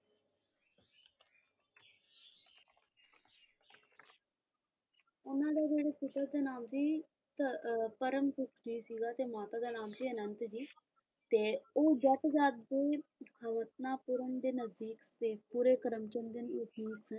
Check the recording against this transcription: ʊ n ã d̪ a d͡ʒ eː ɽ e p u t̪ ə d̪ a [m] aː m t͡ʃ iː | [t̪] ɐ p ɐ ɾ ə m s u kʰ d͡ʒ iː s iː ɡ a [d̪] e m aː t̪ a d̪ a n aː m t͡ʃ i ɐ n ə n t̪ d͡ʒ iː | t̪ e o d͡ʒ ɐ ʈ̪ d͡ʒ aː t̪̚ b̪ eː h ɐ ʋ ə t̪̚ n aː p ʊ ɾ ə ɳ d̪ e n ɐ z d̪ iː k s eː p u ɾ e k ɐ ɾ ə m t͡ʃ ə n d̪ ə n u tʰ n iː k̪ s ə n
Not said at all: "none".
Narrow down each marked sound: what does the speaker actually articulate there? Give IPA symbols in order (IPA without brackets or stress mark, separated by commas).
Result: n, t̪, t̪